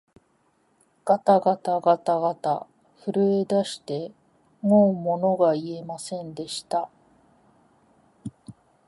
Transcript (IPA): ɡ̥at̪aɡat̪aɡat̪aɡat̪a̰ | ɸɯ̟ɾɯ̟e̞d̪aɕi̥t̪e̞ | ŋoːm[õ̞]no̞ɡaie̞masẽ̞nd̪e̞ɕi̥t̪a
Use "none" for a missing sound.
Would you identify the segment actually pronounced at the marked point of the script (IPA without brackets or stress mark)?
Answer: o̞